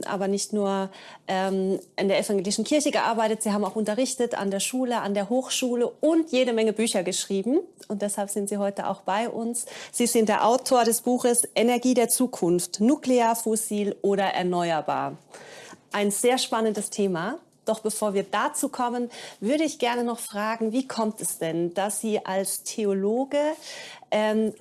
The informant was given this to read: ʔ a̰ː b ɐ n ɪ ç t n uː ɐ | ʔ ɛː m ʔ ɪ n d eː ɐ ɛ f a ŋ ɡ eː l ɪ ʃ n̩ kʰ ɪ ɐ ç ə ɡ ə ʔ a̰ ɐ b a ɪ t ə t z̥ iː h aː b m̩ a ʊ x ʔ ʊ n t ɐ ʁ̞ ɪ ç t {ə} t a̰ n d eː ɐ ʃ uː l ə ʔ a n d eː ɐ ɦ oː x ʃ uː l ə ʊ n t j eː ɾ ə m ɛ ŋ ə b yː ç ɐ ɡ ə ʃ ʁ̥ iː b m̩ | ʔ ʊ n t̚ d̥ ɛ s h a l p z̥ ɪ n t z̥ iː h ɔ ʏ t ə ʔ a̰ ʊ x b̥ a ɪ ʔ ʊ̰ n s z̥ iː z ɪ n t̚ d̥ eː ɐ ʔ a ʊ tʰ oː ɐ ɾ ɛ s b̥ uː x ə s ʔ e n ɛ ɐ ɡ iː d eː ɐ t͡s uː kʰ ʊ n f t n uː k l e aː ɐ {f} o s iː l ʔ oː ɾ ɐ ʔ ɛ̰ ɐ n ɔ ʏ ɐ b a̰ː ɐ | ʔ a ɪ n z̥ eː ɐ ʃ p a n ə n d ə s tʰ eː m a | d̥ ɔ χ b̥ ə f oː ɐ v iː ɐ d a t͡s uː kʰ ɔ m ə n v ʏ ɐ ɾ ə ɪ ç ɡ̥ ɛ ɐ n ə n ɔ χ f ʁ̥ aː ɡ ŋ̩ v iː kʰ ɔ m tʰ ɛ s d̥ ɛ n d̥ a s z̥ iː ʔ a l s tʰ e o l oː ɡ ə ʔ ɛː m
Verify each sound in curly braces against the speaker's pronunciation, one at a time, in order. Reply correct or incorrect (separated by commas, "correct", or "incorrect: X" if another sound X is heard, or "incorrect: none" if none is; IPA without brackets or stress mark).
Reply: correct, correct